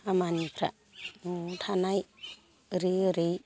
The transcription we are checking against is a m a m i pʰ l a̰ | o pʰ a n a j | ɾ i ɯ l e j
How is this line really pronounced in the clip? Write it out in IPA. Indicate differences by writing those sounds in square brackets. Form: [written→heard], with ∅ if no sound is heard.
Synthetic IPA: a m a [m→n] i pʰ [l→ɾ] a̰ | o [pʰ→tʰ] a n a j | ɾ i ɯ [l→ɾ] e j

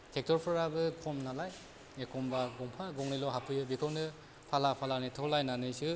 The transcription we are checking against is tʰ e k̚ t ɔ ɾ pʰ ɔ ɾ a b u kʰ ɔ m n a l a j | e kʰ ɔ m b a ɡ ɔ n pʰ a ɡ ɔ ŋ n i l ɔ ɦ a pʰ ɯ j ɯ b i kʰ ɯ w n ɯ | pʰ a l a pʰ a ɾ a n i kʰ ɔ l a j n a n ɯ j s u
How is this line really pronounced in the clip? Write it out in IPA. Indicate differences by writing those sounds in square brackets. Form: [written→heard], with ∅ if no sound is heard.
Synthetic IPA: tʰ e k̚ t ɔ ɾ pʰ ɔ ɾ a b [u→ɯ] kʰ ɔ m n a l a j | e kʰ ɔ m b a ɡ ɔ [n→ŋ] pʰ a ɡ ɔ ŋ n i l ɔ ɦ a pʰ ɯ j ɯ b i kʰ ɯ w n ɯ | pʰ a l a pʰ a [ɾ→l] a n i [kʰ→tʰ] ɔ l a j n a n ɯ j s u

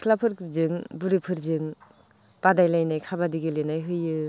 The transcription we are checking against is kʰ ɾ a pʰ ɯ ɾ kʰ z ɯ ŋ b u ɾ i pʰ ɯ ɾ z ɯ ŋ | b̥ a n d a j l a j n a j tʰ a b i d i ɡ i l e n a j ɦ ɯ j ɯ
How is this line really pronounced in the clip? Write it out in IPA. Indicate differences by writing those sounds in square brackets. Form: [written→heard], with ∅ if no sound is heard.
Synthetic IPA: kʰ [ɾ→l] a pʰ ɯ ɾ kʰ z ɯ ŋ b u ɾ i pʰ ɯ ɾ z ɯ ŋ | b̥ a [n→∅] d a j l a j n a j [tʰ→kʰ] a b [i→a] d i ɡ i l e n a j ɦ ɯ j ɯ

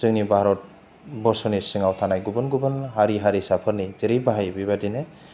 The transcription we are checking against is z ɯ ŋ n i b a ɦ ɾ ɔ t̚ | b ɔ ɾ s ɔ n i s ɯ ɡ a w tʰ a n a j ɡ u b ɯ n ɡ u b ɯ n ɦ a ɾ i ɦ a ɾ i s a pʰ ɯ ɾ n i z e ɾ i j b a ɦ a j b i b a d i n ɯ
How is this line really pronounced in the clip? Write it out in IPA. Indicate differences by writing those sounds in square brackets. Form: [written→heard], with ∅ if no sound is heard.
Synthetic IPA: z ɯ ŋ n i b a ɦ ɾ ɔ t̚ | b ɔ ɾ s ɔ n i s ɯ [ɡ→ŋ] a w tʰ a n a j ɡ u b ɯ n ɡ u b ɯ n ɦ a ɾ i ɦ a ɾ i s a pʰ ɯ ɾ n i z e ɾ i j b a ɦ a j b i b a d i n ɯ

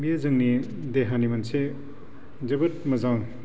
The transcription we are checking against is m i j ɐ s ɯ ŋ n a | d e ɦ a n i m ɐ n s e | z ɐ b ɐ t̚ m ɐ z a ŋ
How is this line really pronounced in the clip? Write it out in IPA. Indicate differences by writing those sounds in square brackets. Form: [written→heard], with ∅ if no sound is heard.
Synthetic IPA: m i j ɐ [s→z] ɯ ŋ n [a→i] | d e ɦ a n i m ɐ n s e | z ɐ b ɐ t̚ m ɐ z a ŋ

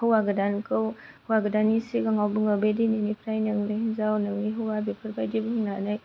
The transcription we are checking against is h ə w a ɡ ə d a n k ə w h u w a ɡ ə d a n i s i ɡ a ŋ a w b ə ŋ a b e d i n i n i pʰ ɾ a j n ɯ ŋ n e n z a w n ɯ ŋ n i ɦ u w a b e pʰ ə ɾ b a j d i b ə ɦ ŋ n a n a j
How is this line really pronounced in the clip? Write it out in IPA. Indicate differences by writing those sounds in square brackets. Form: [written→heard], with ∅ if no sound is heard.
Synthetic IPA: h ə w a ɡ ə d a n k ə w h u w a ɡ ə d a n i s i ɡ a ŋ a w b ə ŋ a b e d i n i n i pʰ ɾ a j n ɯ ŋ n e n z a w n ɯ ŋ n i ɦ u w a b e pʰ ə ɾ b a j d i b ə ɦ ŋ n a n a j

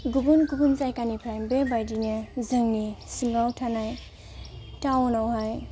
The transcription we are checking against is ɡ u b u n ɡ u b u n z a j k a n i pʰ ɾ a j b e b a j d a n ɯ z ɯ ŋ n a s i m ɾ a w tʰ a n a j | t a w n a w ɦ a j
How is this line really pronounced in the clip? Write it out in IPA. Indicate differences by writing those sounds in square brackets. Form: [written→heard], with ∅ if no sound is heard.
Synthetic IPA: ɡ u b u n ɡ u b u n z a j k a n i pʰ ɾ a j b e b a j d [a→i] n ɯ z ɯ ŋ n [a→i] s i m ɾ a w tʰ a n a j | t a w n a w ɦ a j

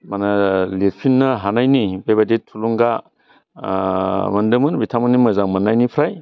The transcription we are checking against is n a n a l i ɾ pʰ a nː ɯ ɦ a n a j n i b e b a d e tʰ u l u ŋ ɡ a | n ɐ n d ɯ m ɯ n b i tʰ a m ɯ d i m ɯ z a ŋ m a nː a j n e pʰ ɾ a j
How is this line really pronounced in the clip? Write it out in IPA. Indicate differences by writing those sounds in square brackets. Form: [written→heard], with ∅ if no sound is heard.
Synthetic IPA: [n→m] a n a l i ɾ pʰ [a→i] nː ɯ ɦ a n a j n i b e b a d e tʰ u l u ŋ ɡ a | [n→m] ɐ n d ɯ m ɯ n b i tʰ a m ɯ [d→n] i m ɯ z a ŋ m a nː a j n [e→i] pʰ ɾ a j

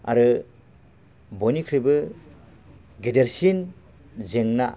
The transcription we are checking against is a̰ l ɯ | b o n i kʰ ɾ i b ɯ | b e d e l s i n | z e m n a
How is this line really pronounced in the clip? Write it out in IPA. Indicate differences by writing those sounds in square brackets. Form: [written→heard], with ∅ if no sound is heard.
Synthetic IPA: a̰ [l→ɾ] ɯ | b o n i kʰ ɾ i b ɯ | [b→ɡ] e d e [l→ɾ] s i n | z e [m→ŋ] n a

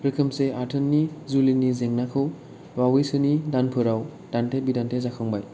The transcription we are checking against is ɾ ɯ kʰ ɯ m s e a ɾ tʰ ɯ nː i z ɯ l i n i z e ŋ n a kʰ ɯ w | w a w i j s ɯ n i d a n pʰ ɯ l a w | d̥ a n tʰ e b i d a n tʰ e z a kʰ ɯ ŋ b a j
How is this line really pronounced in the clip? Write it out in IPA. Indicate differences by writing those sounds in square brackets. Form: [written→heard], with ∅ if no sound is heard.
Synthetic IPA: ɾ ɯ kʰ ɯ m s e a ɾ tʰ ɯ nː i z [ɯ→u] l i n i z e ŋ n a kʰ ɯ w | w a w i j s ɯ n i d a n pʰ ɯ [l→ɾ] a w | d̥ a n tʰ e b i d a n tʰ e z a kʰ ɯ ŋ b a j

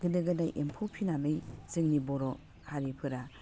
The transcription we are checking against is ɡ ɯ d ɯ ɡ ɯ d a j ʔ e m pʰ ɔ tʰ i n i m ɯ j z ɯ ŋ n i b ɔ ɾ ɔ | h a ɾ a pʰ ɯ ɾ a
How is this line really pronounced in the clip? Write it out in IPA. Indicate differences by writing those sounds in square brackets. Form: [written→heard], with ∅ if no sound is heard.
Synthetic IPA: ɡ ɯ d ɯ ɡ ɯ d a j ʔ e m pʰ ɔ [tʰ→pʰ] i n [i→a] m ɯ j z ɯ ŋ n i b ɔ ɾ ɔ | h a ɾ [a→i] pʰ ɯ ɾ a

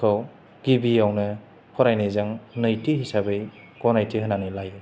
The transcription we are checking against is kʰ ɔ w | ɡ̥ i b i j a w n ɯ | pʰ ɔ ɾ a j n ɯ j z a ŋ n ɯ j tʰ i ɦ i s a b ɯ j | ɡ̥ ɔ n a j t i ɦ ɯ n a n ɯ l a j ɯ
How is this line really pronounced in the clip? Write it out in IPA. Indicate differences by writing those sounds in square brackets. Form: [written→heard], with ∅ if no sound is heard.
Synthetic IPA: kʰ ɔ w | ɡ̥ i b i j a w n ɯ | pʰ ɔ ɾ a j n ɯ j z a ŋ n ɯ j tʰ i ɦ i s a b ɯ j | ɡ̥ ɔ n a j t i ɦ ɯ n a n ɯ l a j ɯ

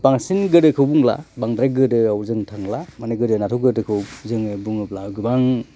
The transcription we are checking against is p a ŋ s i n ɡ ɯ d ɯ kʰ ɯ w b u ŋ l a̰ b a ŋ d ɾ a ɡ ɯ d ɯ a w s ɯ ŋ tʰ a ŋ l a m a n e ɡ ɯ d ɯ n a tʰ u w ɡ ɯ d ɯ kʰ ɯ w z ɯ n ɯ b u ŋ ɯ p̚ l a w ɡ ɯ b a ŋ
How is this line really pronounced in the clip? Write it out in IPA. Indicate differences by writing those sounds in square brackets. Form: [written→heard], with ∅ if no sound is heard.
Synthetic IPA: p a ŋ s i n ɡ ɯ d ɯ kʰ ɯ w b u ŋ l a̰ b a ŋ d ɾ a ɡ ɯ d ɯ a w [s→z] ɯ ŋ tʰ a ŋ l a m a n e ɡ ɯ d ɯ n a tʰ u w ɡ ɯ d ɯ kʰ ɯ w z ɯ [n→ŋ] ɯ b u ŋ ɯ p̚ l a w ɡ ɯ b a ŋ

